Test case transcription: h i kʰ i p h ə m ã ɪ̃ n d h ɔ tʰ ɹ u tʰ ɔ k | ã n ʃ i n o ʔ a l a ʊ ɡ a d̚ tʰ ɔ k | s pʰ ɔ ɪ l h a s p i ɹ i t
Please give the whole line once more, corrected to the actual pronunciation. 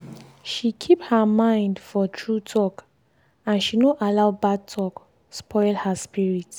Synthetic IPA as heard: ʃ i kʰ i p h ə m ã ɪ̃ n d f ɔ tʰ ɹ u tʰ ɔ k | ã n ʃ i n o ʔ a l a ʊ b a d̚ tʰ ɔ k | s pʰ ɔ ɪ l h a s p i ɹ i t